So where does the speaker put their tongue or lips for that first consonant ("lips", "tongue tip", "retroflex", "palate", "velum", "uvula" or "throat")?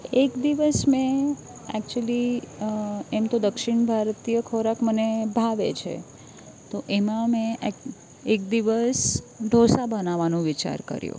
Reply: velum